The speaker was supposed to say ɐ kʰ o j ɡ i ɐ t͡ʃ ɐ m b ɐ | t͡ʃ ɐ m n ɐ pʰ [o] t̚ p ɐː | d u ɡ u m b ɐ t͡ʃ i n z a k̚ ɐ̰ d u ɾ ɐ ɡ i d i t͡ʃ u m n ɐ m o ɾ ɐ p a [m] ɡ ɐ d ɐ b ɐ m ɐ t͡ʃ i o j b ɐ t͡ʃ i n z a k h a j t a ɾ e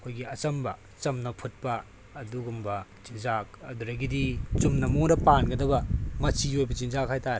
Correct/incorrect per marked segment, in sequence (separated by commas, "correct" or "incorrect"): incorrect, incorrect